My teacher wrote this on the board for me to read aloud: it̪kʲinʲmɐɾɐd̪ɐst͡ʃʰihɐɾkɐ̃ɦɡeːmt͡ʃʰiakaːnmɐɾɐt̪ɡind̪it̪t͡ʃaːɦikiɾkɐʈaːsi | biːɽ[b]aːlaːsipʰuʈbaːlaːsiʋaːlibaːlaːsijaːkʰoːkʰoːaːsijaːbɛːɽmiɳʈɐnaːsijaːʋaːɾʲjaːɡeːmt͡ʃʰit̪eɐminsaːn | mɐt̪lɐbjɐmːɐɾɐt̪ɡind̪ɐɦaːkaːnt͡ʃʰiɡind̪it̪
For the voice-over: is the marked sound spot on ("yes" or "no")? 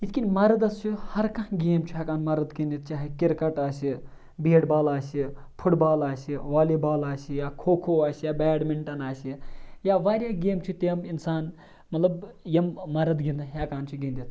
yes